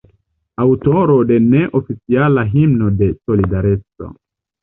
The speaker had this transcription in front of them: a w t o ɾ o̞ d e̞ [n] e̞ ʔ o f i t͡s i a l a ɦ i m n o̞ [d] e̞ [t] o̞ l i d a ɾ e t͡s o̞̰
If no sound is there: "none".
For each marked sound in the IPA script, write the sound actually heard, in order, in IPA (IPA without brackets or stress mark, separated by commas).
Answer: n, d, s